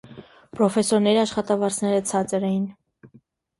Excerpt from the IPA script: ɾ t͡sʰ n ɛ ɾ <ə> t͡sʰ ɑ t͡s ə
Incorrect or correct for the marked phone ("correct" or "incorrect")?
correct